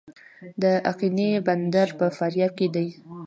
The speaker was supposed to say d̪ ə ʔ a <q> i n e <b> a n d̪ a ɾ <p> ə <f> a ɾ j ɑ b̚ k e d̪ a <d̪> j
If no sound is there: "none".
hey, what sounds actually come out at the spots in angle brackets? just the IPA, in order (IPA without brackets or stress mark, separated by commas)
q, b, p, f, none